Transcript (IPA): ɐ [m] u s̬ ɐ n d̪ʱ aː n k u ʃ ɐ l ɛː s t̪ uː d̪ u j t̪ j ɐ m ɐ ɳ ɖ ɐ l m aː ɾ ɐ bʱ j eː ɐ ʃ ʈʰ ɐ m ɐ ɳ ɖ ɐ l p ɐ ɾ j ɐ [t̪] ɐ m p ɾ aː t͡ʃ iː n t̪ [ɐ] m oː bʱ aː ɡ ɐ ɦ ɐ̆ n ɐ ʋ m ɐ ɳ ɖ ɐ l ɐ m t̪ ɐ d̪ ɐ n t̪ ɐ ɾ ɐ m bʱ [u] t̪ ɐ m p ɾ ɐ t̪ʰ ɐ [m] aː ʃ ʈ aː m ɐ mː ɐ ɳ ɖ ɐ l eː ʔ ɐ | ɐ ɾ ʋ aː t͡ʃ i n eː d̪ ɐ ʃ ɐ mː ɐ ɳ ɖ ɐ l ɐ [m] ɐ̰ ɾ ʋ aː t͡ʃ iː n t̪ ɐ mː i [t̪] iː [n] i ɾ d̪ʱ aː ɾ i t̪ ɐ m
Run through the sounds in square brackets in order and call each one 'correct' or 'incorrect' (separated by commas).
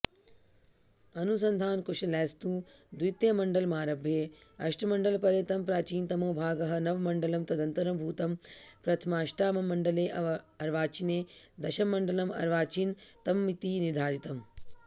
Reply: incorrect, correct, correct, incorrect, correct, correct, correct, correct